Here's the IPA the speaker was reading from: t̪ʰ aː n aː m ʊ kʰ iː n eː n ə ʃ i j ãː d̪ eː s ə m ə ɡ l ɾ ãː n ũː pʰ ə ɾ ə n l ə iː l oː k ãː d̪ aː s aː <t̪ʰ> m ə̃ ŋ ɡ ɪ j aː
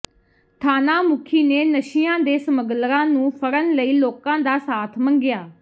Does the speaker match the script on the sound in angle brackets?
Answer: yes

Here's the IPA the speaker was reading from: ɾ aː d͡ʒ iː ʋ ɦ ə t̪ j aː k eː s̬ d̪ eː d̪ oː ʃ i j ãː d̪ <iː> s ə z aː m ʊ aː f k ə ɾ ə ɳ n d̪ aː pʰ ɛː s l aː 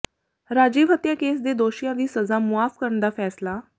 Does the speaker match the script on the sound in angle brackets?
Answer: yes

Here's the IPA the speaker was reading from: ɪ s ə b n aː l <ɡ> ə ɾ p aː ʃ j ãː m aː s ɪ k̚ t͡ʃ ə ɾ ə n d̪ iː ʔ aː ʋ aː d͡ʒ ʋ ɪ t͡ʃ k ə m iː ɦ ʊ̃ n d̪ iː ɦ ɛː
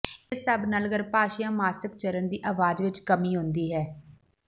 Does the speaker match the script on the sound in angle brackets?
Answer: yes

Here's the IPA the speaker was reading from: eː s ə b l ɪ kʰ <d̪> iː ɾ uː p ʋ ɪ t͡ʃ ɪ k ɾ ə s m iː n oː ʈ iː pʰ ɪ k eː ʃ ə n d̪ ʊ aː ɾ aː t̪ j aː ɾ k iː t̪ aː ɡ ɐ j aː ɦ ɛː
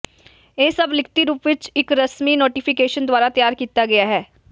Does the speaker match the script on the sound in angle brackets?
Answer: no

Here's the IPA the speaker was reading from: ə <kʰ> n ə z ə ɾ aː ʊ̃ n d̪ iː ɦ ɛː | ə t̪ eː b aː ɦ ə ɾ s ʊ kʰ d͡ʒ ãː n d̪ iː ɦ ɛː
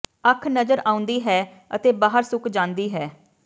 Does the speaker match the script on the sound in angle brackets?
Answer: yes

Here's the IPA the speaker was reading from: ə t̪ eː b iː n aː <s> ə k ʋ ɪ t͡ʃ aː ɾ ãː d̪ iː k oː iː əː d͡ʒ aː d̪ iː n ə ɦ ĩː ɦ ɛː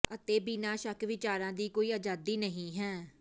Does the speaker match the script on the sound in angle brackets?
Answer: no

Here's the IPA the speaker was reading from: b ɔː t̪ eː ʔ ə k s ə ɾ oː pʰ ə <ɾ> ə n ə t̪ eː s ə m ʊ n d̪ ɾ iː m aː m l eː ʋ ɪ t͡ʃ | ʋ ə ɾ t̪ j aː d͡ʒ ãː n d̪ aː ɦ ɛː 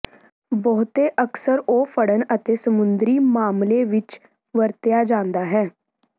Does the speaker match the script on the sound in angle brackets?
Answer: no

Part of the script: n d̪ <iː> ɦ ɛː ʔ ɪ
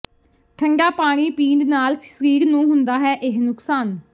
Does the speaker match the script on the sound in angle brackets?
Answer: no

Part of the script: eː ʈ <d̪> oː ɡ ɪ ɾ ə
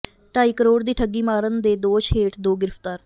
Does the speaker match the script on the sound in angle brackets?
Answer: yes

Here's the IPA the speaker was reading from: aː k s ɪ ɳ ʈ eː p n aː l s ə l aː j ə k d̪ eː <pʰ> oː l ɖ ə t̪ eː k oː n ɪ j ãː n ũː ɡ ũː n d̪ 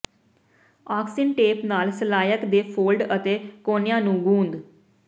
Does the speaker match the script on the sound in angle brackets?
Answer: yes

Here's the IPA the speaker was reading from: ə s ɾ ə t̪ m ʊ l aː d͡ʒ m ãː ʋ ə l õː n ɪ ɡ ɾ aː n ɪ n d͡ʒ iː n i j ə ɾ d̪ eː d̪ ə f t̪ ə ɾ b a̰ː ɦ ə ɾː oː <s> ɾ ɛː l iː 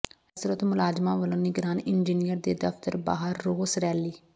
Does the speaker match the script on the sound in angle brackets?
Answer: yes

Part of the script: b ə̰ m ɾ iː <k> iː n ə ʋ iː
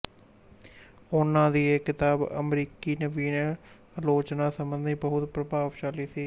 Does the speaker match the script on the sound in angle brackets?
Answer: yes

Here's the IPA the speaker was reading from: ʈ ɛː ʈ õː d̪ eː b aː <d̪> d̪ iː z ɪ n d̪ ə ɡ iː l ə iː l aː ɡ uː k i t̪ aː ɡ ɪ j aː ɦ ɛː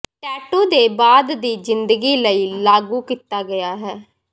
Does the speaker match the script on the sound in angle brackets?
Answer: yes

